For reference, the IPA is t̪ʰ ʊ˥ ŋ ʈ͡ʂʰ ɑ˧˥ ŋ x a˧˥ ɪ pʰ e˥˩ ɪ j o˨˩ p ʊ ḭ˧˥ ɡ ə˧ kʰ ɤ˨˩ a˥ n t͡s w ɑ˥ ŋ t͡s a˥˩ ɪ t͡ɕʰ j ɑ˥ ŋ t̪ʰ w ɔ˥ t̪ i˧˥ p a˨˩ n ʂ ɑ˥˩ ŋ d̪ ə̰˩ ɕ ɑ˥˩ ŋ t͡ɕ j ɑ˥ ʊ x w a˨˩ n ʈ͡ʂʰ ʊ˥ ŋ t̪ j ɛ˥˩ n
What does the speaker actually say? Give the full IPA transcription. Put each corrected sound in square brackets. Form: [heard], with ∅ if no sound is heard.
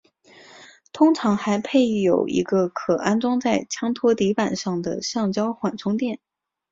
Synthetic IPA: t̪ʰ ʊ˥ ŋ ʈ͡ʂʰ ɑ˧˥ ŋ x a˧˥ ɪ pʰ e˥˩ ɪ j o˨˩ [∅] ʊ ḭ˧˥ ɡ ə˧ kʰ ɤ˨˩ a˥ n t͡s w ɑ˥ ŋ t͡s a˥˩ ɪ t͡ɕʰ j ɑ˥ ŋ t̪ʰ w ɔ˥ t̪ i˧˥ p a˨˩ n ʂ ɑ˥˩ ŋ d̪ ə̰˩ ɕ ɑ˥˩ ŋ t͡ɕ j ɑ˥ ʊ x w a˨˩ n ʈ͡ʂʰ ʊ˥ ŋ t̪ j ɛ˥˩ n